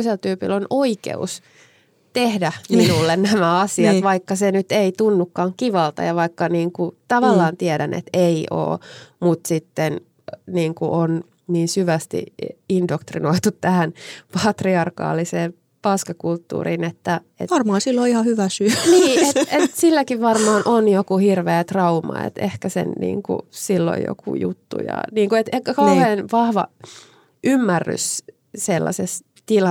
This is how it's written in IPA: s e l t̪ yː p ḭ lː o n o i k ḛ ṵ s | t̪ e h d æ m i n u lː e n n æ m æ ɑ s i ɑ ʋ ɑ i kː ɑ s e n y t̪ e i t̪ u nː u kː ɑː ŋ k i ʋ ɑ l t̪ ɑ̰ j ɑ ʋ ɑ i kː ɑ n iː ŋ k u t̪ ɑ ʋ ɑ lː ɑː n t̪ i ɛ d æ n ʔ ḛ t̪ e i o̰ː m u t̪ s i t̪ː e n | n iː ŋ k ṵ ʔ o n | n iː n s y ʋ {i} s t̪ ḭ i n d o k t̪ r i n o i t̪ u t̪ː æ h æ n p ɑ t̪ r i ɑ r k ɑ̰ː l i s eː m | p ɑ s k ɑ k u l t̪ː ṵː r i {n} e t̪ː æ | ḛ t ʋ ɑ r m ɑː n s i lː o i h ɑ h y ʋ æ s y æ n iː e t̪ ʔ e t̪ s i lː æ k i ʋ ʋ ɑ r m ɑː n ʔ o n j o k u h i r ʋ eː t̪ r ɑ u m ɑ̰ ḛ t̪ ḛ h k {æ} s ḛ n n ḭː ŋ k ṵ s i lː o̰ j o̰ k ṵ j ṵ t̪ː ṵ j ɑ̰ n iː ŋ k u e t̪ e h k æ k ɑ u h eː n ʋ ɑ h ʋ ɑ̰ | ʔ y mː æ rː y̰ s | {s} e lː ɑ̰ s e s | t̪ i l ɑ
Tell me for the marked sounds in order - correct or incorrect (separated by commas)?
incorrect, correct, correct, correct